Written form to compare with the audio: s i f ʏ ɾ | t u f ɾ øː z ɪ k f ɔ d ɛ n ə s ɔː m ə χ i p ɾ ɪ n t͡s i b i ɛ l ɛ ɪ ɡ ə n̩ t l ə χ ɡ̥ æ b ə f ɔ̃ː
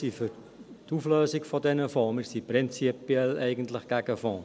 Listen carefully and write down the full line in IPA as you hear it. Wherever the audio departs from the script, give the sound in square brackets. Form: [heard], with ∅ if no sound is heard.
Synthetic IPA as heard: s i f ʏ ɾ | t u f [l] øː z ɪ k f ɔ d ɛ n ə [f] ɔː m ə [s] i p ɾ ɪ n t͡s i [p] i ɛ l ɛ ɪ ɡ ə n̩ t l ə χ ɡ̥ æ [ɡ] ə f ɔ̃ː